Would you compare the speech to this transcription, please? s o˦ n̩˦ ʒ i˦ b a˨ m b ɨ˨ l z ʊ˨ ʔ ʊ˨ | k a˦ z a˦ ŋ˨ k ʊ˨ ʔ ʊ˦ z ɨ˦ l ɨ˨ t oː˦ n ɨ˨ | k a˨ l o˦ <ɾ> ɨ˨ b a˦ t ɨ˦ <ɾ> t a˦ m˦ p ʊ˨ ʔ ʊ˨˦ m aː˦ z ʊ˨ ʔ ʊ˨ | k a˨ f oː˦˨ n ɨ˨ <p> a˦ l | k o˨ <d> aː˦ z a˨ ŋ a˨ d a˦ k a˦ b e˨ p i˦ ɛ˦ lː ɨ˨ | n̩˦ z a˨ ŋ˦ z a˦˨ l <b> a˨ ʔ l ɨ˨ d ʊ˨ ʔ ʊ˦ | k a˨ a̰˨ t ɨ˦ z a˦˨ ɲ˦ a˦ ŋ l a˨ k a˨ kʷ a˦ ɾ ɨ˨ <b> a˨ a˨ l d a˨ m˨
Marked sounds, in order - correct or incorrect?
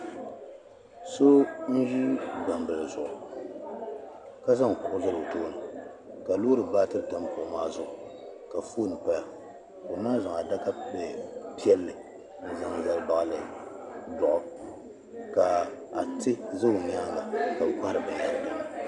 correct, correct, correct, incorrect: n, correct, correct

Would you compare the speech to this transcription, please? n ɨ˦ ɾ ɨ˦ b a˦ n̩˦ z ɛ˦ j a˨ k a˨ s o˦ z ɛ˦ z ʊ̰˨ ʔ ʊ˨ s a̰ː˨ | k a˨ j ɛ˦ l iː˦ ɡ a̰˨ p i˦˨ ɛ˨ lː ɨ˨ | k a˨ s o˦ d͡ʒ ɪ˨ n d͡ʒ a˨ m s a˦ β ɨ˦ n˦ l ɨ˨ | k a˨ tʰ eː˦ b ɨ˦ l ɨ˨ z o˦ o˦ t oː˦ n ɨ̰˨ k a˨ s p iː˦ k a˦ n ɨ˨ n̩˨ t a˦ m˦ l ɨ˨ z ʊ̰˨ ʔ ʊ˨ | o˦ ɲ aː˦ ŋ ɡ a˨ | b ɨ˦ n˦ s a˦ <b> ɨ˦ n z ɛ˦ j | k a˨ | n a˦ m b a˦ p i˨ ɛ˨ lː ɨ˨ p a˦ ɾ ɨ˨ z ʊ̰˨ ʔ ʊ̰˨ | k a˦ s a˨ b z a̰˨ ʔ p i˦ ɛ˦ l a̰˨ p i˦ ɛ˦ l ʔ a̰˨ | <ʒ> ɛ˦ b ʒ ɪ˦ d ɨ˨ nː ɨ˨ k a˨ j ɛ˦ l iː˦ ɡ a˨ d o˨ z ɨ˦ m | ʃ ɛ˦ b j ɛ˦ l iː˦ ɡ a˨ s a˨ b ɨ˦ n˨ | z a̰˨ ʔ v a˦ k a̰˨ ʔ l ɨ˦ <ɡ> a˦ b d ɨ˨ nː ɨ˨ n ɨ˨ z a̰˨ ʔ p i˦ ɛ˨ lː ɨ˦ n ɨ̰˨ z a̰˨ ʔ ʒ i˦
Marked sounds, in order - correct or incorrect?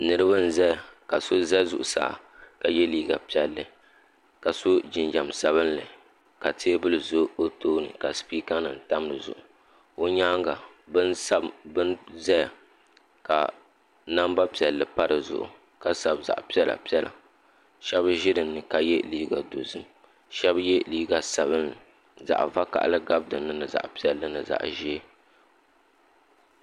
correct, incorrect: ʃ, correct

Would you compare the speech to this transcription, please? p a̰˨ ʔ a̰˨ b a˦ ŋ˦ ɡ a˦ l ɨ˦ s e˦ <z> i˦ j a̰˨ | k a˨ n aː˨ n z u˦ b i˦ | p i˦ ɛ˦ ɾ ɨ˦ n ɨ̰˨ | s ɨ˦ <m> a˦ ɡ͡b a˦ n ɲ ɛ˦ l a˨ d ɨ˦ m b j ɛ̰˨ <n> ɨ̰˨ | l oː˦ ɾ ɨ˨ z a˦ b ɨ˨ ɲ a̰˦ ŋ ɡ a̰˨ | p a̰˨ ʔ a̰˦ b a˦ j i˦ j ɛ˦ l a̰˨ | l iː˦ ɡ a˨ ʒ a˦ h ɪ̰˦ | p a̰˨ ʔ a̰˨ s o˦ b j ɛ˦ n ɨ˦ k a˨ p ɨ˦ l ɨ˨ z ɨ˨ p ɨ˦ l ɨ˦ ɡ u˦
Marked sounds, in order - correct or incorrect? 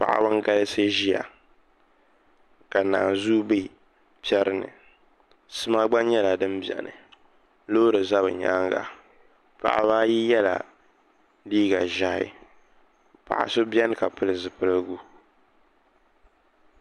incorrect: ʒ, correct, correct

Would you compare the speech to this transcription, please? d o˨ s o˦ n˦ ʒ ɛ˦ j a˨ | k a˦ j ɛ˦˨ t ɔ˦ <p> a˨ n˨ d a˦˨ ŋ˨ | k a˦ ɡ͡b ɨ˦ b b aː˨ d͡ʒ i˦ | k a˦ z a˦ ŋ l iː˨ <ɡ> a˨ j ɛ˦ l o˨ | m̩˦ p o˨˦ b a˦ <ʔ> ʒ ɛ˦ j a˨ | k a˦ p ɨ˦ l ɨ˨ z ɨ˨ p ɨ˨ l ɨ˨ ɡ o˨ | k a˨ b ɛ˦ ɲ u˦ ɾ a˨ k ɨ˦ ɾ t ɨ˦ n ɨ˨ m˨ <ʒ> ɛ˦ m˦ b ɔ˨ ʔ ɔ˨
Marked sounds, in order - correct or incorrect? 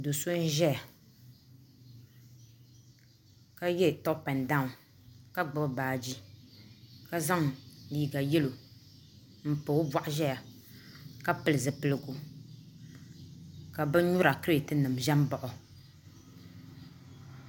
correct, correct, correct, correct

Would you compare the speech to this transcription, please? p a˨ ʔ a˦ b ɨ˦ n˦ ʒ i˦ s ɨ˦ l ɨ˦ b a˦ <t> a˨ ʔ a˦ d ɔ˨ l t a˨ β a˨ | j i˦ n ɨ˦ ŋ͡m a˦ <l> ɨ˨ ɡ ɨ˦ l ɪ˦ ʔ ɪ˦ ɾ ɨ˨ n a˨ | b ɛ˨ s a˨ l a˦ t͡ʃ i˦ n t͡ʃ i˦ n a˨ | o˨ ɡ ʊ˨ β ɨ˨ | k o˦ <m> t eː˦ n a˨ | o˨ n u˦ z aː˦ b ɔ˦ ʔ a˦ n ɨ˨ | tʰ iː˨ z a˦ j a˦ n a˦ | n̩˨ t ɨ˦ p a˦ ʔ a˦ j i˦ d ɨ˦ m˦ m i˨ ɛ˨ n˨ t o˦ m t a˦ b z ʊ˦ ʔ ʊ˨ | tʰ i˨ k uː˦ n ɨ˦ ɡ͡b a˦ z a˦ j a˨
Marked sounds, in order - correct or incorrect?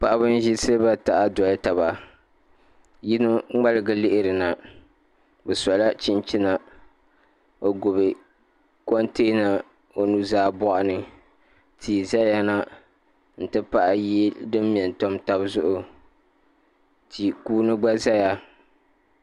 correct, correct, incorrect: n

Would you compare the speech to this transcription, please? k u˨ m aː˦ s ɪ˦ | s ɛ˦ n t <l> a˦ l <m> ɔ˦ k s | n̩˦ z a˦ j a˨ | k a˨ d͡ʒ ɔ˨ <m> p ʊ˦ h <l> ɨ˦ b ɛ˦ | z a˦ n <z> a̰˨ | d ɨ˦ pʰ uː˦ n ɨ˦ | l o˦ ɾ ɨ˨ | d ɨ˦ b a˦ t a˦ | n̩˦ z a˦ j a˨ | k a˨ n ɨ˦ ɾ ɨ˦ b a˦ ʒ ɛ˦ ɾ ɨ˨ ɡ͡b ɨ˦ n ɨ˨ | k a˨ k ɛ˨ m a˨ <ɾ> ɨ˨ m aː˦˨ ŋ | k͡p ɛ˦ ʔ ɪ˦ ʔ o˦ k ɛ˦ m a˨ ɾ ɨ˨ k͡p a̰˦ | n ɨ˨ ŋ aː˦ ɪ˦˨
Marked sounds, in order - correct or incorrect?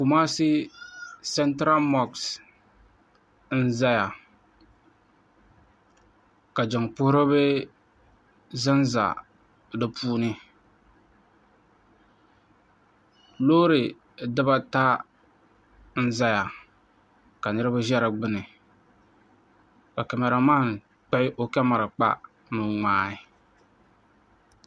incorrect: ɾ, correct, incorrect: ŋ, incorrect: ɾ, correct, correct

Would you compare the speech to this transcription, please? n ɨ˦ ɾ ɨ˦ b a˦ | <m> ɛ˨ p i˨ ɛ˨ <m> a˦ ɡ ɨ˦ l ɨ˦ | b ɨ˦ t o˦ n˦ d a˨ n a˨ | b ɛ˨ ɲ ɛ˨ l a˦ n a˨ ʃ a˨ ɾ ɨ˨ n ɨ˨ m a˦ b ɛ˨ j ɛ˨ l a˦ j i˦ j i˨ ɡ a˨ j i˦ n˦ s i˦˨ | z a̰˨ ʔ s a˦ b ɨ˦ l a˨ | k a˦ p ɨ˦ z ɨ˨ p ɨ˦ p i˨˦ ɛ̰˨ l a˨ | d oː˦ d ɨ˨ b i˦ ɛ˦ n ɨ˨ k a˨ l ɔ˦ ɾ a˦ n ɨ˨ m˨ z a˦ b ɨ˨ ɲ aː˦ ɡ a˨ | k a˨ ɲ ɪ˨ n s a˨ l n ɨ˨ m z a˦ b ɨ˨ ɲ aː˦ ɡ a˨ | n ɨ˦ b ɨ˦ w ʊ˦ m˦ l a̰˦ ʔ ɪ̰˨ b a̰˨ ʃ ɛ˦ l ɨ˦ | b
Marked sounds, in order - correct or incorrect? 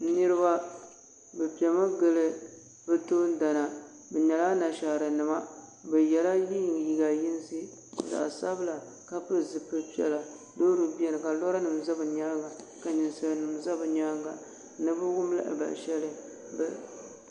incorrect: b, correct

